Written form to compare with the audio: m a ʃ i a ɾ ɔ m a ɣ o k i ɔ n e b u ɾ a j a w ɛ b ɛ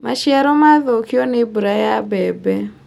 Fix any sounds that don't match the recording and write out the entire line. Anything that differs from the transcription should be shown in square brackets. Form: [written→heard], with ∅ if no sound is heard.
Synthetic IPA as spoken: m a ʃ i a ɾ ɔ m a [ɣ→ð] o k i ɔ n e b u ɾ a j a [w→b] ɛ b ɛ